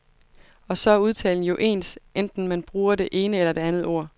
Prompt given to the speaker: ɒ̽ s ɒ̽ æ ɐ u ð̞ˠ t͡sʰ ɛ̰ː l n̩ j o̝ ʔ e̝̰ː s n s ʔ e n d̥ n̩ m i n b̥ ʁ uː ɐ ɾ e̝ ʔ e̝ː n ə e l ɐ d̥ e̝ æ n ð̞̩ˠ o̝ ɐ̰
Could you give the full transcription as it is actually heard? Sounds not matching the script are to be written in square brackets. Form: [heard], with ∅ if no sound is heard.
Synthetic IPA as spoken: ɒ̽ s ɒ̽ æ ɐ u ð̞ˠ t͡sʰ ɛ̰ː l n̩ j o̝ ʔ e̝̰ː [∅] n s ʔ e n d̥ n̩ m [æ] n b̥ ʁ uː ɐ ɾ e̝ ʔ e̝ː n ə e l ɐ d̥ e̝ æ n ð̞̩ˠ o̝ ɐ̰